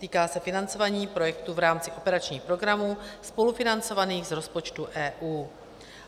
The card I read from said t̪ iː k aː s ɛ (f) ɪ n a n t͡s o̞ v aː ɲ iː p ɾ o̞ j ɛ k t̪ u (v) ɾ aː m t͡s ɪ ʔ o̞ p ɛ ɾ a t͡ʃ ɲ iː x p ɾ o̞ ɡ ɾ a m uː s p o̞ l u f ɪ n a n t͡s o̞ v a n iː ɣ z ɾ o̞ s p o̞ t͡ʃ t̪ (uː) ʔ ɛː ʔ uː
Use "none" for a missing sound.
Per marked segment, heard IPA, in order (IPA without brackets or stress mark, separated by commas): f, v, u